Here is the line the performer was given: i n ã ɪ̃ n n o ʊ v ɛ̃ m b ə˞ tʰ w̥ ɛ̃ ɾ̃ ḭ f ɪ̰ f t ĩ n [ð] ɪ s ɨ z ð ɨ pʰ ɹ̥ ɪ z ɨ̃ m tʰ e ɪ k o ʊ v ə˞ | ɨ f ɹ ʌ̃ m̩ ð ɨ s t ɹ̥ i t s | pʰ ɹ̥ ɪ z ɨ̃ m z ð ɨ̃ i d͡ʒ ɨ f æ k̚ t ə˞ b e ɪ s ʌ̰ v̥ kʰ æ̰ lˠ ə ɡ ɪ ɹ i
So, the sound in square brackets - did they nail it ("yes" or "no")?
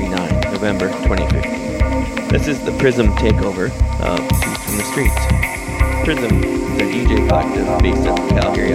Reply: yes